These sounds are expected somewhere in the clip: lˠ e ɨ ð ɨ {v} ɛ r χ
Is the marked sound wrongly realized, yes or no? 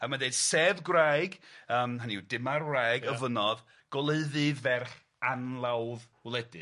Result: no